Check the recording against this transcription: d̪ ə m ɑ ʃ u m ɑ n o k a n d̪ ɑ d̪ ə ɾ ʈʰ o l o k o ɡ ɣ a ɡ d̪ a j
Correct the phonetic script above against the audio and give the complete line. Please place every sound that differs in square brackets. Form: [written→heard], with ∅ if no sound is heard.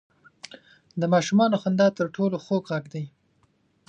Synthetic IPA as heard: d̪ ə m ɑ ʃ u m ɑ n o [k→x] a n d̪ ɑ [d̪→t̪] ə ɾ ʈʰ o l o [k→x] o ɡ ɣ a ɡ d̪ a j